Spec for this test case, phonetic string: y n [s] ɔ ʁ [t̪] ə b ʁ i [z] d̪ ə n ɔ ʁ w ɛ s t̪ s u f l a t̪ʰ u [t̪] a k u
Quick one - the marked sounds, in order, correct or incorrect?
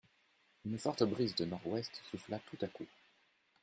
incorrect: f, correct, correct, correct

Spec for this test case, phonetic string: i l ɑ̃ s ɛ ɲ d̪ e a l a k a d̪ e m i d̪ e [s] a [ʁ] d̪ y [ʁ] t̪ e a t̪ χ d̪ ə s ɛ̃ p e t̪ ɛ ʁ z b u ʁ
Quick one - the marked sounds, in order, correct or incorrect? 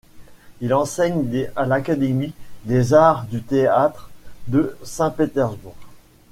incorrect: z, correct, incorrect: none

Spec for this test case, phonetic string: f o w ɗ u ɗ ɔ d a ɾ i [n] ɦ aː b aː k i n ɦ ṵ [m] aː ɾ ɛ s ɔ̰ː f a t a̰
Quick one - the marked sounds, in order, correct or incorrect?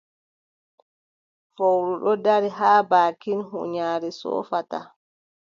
incorrect: none, incorrect: ɲ

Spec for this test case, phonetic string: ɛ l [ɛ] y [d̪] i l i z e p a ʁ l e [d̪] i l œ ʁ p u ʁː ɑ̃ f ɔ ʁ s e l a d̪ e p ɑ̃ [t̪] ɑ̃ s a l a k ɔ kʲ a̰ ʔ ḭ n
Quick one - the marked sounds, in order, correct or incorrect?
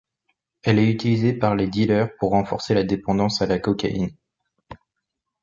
correct, incorrect: t̪, correct, incorrect: d̪

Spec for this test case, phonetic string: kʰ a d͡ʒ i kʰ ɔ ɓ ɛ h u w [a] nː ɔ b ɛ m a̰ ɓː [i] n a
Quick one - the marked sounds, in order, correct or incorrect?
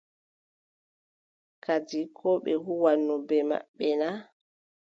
correct, incorrect: ɛ

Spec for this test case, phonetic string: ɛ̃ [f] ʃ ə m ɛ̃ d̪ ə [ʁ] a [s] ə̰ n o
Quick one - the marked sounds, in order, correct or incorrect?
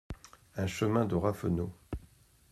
incorrect: none, correct, incorrect: f

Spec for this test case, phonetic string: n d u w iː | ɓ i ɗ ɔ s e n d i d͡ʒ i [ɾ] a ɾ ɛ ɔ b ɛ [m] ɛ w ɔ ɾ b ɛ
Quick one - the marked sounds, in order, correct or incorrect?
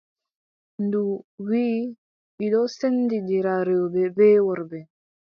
correct, incorrect: b

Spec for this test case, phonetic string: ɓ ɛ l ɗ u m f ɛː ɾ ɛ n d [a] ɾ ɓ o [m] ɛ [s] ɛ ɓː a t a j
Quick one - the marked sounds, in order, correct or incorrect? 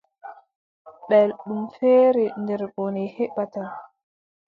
incorrect: ɛ, incorrect: n, incorrect: h

